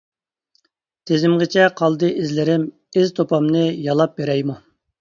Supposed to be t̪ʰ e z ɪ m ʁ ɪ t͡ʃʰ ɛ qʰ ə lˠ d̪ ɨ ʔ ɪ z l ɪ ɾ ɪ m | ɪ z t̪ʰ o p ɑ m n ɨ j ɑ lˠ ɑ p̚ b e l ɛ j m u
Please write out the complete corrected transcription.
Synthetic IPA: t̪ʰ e z ɪ m ʁ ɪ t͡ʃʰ ɛ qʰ ɑ lˠ d̪ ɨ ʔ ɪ z l ɪ ɾ ɪ m | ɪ z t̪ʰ o p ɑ m n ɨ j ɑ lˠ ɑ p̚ b e ɾ ɛ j m u